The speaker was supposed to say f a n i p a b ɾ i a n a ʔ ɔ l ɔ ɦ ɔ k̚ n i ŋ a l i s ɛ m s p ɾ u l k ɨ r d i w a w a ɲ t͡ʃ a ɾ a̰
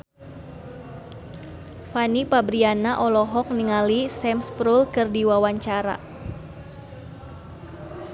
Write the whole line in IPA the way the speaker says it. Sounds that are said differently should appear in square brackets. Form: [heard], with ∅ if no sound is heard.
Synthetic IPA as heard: f a n i p a b ɾ i a n a ʔ ɔ l ɔ ɦ ɔ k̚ n i ŋ a l i s ɛ m s p ɾ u l k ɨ r d i w a w a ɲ t͡ʃ a ɾ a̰